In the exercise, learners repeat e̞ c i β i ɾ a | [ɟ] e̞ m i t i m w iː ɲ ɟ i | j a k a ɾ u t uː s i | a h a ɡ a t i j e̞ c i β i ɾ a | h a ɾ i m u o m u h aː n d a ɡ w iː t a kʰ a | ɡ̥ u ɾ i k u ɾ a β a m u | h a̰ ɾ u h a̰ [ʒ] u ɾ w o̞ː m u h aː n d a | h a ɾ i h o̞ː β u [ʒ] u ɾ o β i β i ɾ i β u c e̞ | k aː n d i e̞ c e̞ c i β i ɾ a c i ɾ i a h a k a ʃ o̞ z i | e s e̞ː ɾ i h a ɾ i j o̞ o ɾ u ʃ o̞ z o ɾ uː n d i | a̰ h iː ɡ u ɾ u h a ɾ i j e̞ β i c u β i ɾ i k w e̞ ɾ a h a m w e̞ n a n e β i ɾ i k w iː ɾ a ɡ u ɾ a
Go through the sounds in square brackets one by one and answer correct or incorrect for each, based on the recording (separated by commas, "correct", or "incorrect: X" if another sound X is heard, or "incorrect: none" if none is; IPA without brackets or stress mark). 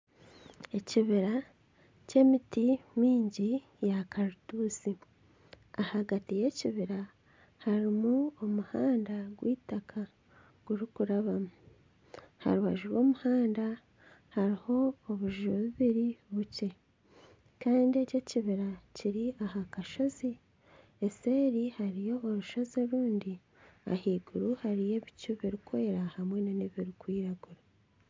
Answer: incorrect: c, correct, correct